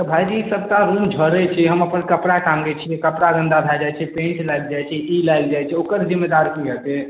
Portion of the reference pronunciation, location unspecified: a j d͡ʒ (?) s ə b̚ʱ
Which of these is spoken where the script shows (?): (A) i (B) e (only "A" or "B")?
A